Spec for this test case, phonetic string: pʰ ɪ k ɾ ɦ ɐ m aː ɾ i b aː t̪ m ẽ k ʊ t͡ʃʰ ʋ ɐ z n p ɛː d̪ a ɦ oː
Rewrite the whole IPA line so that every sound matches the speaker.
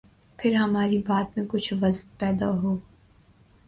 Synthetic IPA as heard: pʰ ɪ ɾ ɦ ɐ m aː ɾ i b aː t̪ m ẽ k ʊ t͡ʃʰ ʋ ɐ z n p ɛː d̪ a ɦ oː